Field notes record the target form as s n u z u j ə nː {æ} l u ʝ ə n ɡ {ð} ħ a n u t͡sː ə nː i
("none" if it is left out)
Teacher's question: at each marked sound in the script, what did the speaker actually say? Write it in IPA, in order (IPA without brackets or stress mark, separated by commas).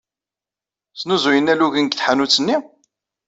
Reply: æ, θ